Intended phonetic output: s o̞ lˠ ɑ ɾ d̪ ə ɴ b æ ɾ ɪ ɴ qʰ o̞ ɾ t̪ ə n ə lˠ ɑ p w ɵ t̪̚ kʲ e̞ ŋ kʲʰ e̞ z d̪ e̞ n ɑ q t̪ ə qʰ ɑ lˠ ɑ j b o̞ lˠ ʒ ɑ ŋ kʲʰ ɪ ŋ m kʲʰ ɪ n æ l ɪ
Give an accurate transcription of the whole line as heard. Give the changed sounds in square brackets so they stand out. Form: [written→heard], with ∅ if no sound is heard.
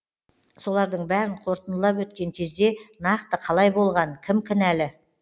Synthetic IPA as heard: s o̞ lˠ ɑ ɾ d̪ ə ɴ b æ ɾ ɪ ɴ qʰ o̞ ɾ t̪ ə n ə lˠ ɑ p w ɵ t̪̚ kʲ e̞ ŋ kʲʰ e̞ z d̪ e̞ n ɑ q t̪ ə qʰ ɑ lˠ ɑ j b o̞ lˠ [ʒ→ʁ] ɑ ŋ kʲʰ ɪ [ŋ→∅] m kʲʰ ɪ n æ l ɪ